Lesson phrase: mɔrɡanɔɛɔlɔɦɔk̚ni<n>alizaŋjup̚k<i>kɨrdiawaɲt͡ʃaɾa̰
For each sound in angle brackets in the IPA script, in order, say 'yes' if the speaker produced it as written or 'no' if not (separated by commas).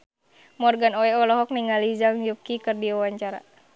no, yes